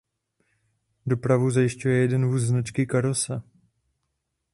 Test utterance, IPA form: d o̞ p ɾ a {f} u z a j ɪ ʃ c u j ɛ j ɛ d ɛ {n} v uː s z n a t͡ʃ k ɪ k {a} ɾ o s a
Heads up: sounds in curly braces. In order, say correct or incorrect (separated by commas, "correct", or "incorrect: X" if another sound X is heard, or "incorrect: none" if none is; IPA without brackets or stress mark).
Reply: incorrect: v, correct, correct